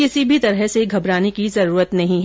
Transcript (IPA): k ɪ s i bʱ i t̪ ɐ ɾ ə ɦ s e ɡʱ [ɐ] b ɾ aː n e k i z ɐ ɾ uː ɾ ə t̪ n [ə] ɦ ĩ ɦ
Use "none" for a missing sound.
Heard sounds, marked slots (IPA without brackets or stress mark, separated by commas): ɐ, ɐ